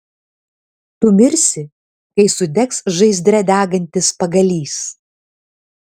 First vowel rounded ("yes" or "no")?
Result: yes